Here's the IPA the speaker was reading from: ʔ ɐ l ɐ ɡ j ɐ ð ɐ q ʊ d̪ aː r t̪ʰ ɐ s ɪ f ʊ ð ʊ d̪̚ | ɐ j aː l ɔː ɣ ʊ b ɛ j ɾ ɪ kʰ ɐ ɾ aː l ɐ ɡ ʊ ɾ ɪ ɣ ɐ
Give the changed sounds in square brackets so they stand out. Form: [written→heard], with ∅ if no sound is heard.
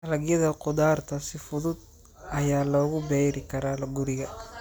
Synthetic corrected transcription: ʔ ɐ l ɐ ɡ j ɐ ð ɐ q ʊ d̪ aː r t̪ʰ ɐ s ɪ f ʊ ð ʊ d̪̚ | ɐ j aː l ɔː ɣ ʊ b ɛ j ɾ ɪ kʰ ɐ ɾ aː l ɐ ɡ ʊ ɾ ɪ ɣ ɐ